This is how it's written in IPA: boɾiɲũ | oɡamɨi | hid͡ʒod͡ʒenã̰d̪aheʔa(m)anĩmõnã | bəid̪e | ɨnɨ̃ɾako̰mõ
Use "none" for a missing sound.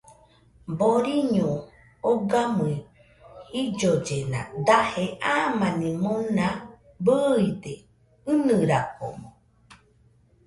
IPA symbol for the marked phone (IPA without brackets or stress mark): m